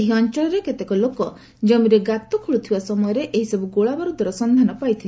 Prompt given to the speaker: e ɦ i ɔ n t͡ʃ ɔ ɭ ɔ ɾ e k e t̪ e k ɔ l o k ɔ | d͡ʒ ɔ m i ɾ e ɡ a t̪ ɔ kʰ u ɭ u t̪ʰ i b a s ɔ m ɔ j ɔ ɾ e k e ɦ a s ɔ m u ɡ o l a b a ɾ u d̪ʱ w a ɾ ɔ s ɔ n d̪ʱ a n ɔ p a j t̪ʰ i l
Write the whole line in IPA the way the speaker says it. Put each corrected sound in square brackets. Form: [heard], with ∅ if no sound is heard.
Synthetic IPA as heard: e ɦ i ɔ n t͡ʃ ɔ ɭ ɔ ɾ e k e t̪ e k ɔ l o k ɔ | d͡ʒ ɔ m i ɾ e ɡ a t̪ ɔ kʰ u ɭ u t̪ʰ i b a s ɔ m ɔ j ɔ ɾ e [ʔ] e ɦ [i] s ɔ [b] u ɡ o [ɭ] a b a ɾ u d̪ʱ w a ɾ ɔ s ɔ n d̪ʱ a n ɔ p a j t̪ʰ i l

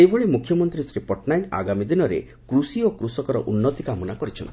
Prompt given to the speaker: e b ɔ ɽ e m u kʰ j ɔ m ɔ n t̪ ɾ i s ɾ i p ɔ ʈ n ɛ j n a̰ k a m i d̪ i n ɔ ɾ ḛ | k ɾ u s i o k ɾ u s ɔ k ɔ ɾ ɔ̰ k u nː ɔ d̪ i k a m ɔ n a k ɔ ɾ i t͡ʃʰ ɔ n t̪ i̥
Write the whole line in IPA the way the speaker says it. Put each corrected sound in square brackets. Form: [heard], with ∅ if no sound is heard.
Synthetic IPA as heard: e b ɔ [ɭ] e m u kʰ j ɔ m ɔ n t̪ ɾ i s ɾ i p ɔ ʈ n [a] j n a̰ [ɡ] a m i d̪ i n ɔ ɾ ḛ | k ɾ u s i o k ɾ u s ɔ k ɔ ɾ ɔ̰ [ʔ] u nː ɔ [t̪] i k a m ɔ n a k ɔ ɾ i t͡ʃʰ ɔ n t̪ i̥

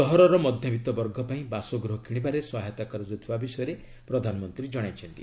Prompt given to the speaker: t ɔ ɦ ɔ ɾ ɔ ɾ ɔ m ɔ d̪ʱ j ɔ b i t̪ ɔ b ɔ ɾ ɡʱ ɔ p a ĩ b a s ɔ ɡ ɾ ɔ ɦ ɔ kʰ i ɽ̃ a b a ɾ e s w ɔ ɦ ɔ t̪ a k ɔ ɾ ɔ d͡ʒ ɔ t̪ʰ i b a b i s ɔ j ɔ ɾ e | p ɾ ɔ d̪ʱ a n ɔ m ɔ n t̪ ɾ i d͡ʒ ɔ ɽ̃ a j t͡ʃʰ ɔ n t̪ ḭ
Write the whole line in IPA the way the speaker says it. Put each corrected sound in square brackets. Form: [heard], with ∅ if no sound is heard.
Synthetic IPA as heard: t ɔ ɦ ɔ ɾ ɔ ɾ ɔ m ɔ d̪ʱ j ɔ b i t̪ ɔ b ɔ ɾ ɡʱ ɔ p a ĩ b a s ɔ ɡ ɾ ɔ ɦ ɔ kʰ i ɽ̃ [i] b a ɾ e s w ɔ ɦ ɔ t̪ a k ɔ ɾ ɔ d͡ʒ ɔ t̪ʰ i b a b i s ɔ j ɔ ɾ e | p ɾ ɔ d̪ʱ a n ɔ m ɔ n t̪ ɾ i d͡ʒ ɔ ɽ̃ a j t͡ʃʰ ɔ n t̪ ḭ

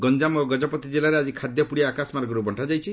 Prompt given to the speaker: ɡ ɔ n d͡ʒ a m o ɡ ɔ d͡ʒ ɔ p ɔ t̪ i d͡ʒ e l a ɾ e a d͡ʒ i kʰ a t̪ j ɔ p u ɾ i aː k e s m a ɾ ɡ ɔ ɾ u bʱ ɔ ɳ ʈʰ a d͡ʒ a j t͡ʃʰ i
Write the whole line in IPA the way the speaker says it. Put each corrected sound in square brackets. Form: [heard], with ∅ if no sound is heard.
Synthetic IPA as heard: ɡ ɔ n d͡ʒ a m o ɡ ɔ d͡ʒ ɔ p ɔ t̪ i d͡ʒ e l a ɾ e a d͡ʒ i kʰ a [d̪] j ɔ p u [ɽ] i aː k [a] s m a ɾ ɡ ɔ ɾ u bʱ ɔ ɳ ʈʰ a d͡ʒ a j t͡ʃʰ i

